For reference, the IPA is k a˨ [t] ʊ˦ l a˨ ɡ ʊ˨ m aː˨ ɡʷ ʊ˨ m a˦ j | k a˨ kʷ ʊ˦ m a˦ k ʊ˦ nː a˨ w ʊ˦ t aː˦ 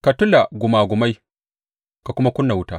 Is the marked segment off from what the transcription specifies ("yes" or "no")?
no